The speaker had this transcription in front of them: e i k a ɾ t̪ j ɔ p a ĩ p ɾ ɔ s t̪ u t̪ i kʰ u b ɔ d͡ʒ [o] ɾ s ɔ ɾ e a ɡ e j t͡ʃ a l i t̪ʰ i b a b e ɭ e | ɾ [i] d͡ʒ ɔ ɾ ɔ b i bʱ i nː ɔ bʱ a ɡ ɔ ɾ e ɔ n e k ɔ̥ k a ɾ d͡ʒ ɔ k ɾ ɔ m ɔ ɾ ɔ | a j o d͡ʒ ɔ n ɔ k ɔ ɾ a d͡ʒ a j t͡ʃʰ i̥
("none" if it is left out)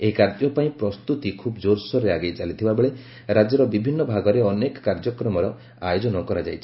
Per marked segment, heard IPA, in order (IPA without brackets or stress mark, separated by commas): o, a